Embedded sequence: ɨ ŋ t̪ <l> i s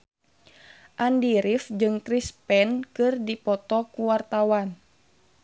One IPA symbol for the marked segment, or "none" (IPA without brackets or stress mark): ɾ